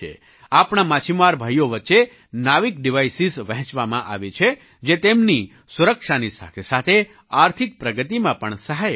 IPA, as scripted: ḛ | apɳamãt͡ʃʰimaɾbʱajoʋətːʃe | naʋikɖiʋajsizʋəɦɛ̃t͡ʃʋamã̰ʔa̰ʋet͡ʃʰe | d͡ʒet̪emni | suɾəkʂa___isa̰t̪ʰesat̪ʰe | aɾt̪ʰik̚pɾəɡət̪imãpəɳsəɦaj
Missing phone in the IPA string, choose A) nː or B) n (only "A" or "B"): B